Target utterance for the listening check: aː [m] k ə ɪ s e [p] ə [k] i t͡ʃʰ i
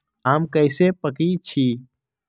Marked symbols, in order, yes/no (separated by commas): yes, yes, yes